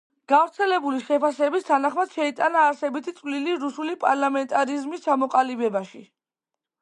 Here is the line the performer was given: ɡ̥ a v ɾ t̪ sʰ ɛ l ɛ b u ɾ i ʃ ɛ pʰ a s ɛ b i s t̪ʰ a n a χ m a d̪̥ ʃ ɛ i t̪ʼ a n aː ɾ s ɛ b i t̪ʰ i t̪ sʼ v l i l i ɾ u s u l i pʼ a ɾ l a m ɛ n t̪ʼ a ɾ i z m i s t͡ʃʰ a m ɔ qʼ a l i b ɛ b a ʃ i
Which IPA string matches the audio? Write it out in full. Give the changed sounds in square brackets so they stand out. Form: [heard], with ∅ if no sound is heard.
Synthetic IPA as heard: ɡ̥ a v ɾ t̪ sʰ ɛ l ɛ b u [l] i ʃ ɛ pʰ a s ɛ b i s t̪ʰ a n a χ m a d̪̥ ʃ ɛ i t̪ʼ a n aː ɾ s ɛ b i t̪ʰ i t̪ sʼ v l i l i ɾ u s u l i pʼ a ɾ l a m ɛ n t̪ʼ a ɾ i z m i s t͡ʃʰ a m ɔ qʼ a l i b ɛ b a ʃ i